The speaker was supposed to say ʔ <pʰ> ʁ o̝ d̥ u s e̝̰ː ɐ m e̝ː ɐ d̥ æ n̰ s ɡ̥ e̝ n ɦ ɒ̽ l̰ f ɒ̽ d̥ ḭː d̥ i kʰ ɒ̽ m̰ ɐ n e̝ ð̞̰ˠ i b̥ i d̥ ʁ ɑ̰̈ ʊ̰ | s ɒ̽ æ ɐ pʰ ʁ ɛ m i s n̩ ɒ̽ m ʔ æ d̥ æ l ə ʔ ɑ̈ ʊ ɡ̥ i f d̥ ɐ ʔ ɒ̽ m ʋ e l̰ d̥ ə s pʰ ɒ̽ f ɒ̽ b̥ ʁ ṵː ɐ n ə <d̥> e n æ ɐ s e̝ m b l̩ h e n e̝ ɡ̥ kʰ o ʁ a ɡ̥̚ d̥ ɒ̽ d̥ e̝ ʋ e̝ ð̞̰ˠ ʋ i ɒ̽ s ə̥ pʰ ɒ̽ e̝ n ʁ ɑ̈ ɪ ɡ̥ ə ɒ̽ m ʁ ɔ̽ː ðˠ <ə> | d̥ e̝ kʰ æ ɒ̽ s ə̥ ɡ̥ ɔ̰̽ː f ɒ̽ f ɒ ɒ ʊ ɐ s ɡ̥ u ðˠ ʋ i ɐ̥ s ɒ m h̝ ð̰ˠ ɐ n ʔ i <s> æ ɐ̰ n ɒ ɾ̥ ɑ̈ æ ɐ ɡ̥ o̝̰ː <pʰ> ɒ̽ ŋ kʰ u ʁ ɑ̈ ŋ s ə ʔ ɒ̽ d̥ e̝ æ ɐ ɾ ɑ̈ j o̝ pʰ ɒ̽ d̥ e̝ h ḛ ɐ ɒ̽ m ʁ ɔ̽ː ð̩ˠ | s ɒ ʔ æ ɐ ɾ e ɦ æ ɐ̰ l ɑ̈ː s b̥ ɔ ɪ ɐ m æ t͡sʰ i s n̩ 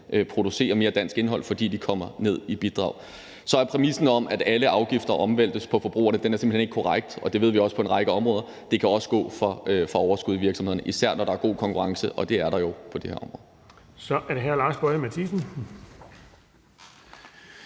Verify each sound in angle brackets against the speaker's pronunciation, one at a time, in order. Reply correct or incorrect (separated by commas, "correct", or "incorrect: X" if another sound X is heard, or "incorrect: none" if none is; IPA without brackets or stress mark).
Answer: correct, correct, incorrect: ɐ, correct, incorrect: kʰ